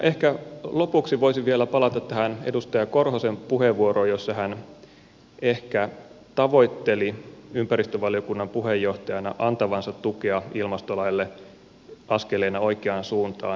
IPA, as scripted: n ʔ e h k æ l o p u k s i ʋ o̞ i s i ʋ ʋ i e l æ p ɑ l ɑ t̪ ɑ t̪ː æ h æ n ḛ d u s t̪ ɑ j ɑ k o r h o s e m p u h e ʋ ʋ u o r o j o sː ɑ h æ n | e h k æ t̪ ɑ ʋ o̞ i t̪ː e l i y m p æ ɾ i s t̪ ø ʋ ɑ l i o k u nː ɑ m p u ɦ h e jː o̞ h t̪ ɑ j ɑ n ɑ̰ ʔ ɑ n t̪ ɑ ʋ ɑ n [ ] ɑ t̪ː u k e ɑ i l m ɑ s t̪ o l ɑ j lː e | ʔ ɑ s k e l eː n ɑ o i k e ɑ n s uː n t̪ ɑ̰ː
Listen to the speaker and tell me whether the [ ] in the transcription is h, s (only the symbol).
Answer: s